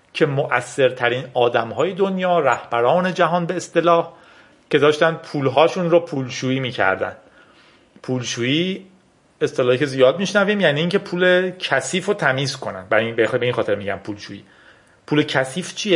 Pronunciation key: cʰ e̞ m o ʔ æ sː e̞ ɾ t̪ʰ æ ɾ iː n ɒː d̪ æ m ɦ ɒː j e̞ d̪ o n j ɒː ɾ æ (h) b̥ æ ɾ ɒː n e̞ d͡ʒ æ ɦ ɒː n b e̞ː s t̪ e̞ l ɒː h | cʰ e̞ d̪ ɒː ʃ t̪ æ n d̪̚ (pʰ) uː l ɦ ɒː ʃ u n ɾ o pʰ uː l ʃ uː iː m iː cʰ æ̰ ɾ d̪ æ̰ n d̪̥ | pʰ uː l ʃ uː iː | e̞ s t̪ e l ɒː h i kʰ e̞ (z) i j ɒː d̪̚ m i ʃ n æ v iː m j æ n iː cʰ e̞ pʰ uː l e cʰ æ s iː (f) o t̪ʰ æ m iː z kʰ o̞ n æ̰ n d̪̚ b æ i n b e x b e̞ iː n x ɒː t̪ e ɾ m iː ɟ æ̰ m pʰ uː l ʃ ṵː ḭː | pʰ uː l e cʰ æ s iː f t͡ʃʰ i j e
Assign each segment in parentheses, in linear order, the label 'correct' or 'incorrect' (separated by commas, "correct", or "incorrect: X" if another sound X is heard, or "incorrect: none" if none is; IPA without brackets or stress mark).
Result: correct, correct, correct, correct